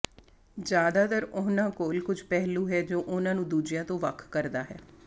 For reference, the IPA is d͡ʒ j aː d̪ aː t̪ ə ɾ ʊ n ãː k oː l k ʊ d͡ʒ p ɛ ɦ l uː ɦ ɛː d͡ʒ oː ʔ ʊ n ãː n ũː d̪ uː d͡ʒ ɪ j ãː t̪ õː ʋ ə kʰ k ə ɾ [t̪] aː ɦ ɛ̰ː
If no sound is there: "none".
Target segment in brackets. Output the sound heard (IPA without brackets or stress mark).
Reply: d̪